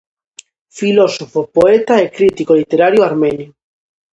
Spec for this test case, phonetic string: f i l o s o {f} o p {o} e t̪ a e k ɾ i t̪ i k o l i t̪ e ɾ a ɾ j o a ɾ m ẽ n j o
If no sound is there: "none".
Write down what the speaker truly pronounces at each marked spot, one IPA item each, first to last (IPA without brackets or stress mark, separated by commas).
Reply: f, o